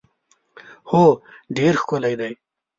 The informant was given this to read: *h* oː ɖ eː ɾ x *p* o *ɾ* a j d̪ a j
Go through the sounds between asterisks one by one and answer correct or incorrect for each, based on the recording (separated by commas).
correct, incorrect, incorrect